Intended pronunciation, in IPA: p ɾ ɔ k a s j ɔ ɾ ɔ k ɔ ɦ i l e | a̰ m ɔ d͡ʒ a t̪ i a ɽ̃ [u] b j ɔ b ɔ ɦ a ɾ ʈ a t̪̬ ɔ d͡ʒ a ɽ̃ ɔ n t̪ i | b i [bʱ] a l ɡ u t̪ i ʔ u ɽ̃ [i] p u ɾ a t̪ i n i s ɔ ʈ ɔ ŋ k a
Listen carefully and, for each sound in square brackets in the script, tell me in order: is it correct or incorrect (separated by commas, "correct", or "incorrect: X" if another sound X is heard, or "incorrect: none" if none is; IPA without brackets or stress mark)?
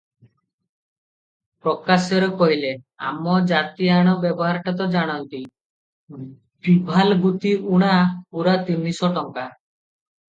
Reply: incorrect: ɔ, correct, incorrect: a